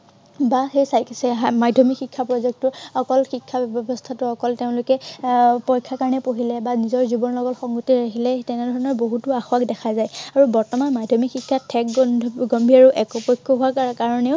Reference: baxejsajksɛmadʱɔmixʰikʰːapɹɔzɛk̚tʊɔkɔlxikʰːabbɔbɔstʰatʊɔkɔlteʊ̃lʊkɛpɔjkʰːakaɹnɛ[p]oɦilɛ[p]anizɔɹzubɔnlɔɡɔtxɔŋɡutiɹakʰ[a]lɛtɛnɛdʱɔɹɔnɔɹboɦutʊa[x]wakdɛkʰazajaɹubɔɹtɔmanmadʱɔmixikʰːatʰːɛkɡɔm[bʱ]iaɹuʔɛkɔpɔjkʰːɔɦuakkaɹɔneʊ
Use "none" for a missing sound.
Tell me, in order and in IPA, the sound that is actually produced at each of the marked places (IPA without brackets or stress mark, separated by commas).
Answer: p, b, i, x, bʱ